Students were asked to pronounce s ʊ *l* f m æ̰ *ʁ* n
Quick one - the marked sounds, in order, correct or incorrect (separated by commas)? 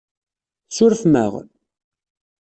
incorrect, correct